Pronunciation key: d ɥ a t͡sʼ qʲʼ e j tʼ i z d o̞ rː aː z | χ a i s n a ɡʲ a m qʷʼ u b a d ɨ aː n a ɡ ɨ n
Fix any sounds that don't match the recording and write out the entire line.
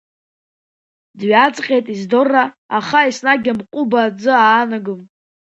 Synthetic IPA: d ɥ a t͡sʼ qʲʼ e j tʼ i z d o̞ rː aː | χ a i s n a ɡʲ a m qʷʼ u b a d͡z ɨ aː n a ɡ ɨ m

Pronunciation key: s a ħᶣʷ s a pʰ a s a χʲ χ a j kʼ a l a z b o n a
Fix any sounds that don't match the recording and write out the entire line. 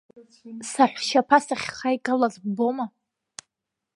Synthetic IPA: s a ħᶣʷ ʃ a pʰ a s a χʲ χ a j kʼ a l a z b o m a

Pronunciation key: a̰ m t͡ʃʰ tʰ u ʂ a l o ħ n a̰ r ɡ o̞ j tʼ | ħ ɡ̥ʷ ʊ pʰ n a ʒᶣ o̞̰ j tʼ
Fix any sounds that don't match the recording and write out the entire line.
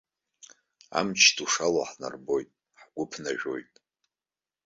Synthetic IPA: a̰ m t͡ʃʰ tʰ u ʂ a l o ħ n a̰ r b o̞ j tʼ | ħ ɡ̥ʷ ʊ pʰ n a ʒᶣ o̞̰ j tʼ

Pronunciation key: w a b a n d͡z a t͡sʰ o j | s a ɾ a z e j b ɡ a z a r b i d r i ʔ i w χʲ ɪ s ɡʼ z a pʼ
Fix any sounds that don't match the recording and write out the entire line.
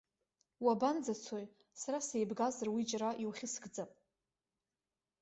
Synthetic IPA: w a b a n d͡z a t͡sʰ o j | s a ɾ a s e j b ɡ a z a r w i d͡ʒ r a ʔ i w χʲ ɪ s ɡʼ d͡z a pʼ

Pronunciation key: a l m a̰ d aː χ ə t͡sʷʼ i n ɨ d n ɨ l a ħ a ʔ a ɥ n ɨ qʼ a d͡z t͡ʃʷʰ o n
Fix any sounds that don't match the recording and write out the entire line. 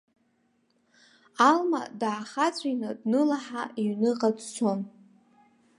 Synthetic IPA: a l m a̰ d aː χ a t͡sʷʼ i n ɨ d n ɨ l a ħ a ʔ i ɥ n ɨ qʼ a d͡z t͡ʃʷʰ o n

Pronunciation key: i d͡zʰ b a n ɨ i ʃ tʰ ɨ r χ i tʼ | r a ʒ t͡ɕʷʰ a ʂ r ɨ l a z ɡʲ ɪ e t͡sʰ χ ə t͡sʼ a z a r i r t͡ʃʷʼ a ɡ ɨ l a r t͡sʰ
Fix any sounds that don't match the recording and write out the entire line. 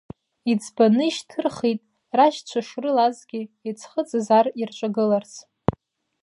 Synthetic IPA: i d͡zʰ b a n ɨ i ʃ tʰ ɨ r χ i tʼ | r a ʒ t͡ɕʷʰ a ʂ r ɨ l a z ɡʲ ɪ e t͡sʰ χ ə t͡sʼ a z a r i r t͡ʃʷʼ a ɡ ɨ l a r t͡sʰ

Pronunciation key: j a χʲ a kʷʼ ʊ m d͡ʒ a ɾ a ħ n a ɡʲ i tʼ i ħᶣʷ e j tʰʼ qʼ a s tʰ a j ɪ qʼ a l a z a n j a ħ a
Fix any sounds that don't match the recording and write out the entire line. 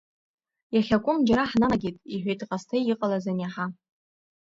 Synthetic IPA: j a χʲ a kʷʼ ʊ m d͡ʒ a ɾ a ħ n a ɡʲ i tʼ i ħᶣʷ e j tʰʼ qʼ a s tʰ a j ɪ qʼ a l a z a n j a ħ a

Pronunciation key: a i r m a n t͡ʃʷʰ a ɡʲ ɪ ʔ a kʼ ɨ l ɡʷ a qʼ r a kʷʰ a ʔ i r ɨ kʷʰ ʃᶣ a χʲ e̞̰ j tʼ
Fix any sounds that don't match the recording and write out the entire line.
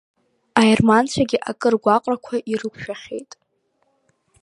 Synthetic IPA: a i r m a n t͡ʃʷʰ a ɡʲ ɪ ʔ a kʼ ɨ r ɡʷ a qʼ r a kʷʰ a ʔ i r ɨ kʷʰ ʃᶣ a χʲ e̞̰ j tʼ

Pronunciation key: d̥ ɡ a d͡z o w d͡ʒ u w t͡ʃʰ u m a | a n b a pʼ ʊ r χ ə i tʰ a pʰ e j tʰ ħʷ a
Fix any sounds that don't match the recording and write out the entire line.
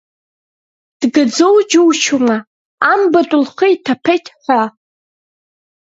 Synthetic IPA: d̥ ɡ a d͡z o w d͡ʒ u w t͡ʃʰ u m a | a m b a tʼ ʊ l χ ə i tʰ a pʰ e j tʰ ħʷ a

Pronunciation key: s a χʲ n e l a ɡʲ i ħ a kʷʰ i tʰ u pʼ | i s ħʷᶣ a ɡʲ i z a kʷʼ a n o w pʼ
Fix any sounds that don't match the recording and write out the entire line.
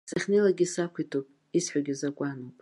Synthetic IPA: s a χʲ n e l a ɡʲ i s a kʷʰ i tʰ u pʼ | i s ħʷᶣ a ɡʲ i z a kʷʼ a n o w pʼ

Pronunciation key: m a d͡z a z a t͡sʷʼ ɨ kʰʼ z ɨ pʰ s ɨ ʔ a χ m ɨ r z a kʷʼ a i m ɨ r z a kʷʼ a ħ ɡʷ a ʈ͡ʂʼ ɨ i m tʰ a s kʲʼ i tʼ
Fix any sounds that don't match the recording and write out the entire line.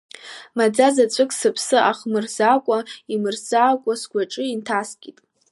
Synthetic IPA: m a d͡z a z a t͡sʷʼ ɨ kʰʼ s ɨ pʰ s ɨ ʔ a χ m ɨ r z a kʷʼ a i m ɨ r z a kʷʼ a s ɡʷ a ʈ͡ʂʼ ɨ i n tʰ a s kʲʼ i tʼ

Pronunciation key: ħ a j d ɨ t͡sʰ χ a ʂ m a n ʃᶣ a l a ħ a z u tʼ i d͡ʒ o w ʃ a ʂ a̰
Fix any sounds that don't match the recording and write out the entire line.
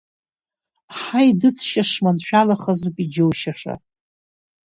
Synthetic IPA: ħ a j d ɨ t͡sʰ ʃ a ʂ m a n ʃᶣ a l a χ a z u pʼ i d͡ʒ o w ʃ a ʂ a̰

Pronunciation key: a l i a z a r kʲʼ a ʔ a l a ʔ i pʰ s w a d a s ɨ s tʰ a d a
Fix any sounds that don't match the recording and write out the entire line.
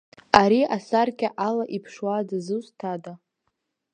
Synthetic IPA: a ɾ i a s a r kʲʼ a ʔ a l a ʔ i pʰ ʂ w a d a z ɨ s tʰ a d a

